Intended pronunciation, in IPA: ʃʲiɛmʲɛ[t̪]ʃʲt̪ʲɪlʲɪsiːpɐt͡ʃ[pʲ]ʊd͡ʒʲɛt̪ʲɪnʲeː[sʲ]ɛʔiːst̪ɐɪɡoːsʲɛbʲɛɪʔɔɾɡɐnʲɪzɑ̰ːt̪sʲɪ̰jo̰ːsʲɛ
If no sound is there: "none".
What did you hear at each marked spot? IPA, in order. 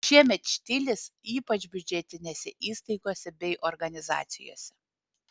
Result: t̪, bʲ, sʲ

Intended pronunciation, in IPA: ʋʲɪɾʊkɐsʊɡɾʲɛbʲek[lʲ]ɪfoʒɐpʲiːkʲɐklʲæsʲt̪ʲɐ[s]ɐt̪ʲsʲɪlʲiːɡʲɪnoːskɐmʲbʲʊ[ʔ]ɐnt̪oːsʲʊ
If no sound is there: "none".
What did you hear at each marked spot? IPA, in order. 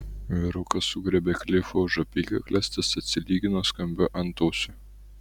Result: lʲ, s, ʔ

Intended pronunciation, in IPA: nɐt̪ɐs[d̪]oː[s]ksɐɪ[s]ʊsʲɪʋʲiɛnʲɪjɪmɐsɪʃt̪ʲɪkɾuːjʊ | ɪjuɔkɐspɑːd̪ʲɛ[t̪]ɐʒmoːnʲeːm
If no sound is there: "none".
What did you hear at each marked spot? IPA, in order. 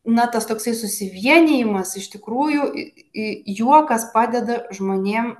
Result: t̪, none, s, d̪

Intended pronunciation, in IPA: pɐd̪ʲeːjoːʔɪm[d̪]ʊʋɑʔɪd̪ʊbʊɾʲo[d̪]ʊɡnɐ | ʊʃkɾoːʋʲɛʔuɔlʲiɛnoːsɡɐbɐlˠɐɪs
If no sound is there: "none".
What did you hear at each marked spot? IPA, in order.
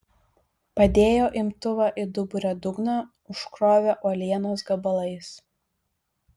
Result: t̪, d̪

